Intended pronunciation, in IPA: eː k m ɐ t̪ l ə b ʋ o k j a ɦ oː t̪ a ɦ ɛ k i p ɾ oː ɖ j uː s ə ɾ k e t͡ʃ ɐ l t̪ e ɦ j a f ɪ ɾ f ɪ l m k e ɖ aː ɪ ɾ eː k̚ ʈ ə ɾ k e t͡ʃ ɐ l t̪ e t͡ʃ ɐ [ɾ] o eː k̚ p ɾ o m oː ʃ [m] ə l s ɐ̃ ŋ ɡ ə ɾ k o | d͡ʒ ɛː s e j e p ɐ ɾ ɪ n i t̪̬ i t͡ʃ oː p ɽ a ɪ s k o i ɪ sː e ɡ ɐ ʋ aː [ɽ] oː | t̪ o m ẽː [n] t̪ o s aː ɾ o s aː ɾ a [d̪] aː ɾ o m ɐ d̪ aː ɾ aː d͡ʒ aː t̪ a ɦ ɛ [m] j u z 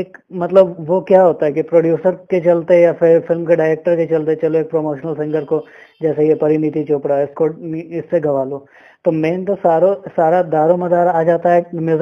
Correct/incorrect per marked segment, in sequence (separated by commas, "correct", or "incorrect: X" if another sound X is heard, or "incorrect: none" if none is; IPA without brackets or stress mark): incorrect: l, incorrect: n, incorrect: l, correct, correct, correct